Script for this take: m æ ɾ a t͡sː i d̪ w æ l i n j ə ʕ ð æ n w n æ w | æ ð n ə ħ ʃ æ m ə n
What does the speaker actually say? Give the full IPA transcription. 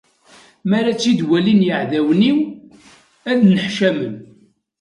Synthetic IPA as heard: m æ ɾ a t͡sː i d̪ w æ l i n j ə ʕ ð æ w n i w | æ ð n ə ħ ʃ æ m ə n